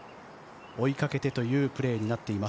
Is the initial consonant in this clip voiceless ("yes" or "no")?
yes